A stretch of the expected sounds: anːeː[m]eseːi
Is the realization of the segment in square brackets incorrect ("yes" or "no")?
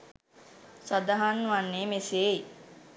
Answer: no